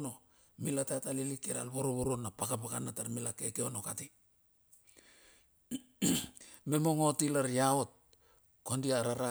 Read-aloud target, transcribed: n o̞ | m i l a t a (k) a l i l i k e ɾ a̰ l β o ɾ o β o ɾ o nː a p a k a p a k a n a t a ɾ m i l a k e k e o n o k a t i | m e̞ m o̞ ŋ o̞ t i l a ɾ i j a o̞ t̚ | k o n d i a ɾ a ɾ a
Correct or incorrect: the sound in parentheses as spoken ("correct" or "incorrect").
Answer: incorrect